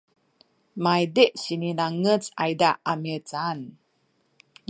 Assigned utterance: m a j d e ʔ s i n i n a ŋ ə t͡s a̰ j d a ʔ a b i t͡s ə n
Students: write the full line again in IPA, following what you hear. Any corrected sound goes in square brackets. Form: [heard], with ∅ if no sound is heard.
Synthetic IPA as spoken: m a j d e ʔ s i n i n a ŋ ə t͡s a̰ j d a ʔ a [m] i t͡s [a] n